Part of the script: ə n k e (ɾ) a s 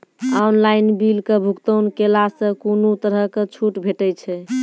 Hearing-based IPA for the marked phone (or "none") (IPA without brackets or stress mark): l